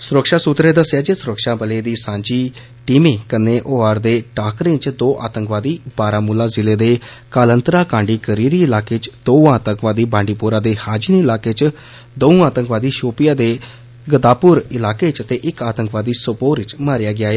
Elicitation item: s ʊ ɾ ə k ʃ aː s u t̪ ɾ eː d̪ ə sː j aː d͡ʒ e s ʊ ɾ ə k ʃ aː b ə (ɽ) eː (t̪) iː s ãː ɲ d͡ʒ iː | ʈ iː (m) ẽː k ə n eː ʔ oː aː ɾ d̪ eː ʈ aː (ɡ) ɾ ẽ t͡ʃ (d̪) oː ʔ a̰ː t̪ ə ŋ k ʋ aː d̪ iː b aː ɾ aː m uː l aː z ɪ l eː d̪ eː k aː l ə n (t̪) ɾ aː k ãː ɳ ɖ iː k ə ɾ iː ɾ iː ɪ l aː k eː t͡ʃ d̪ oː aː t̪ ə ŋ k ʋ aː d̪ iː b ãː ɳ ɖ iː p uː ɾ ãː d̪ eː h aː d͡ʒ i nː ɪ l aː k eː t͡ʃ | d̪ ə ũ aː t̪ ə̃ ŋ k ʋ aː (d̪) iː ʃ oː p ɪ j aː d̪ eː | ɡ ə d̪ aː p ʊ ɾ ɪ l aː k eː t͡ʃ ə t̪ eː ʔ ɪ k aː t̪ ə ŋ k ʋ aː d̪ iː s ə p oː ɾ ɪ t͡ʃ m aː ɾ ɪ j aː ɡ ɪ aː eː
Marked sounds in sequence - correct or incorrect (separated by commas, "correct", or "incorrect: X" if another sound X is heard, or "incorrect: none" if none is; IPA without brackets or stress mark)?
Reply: incorrect: l, incorrect: d̪, correct, incorrect: k, correct, correct, correct